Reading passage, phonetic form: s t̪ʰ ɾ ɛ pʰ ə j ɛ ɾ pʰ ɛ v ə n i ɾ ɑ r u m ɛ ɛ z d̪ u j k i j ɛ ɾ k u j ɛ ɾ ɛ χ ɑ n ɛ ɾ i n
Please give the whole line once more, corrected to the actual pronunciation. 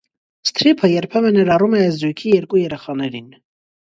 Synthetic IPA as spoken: s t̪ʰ ɾ i pʰ ə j ɛ ɾ pʰ ɛ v ə n ɛ ɾ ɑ r u m ɛ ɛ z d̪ u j kʰ i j ɛ ɾ k u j ɛ ɾ ɛ χ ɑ n ɛ ɾ i n